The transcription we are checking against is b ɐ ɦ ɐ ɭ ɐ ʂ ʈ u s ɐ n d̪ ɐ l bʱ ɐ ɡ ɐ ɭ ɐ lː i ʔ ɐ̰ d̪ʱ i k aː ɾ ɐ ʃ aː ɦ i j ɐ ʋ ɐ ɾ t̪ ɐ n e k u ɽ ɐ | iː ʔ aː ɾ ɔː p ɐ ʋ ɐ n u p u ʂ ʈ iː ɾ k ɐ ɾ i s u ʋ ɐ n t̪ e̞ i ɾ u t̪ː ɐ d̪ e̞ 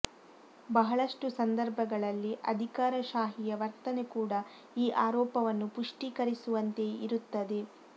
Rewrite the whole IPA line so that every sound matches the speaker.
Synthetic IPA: b ɐ ɦ ɐ ɭ ɐ ʂ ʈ u s ɐ n d̪ ɐ ɾ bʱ ɐ ɡ ɐ ɭ ɐ lː i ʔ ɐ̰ d̪ʱ i k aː ɾ ɐ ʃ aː ɦ i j ɐ ʋ ɐ ɾ t̪ ɐ n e k uː ɽ ɐ | iː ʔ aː ɾ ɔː p ɐ ʋ ɐ nː u p u ʂ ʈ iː k ɐ ɾ i s u ʋ ɐ n t̪ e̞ i ɾ u t̪ː ɐ d̪ e̞